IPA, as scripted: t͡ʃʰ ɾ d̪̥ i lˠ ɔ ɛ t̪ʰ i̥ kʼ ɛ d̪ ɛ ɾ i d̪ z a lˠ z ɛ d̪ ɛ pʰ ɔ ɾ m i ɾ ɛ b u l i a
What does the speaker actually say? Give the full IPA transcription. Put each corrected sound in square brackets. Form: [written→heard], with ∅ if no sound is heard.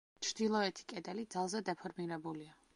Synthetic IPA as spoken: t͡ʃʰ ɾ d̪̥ i lˠ ɔ ɛ t̪ʰ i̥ kʼ ɛ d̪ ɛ [ɾ→l] i d̪ z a lˠ z ɛ d̪ ɛ pʰ ɔ ɾ m i ɾ ɛ b u l i a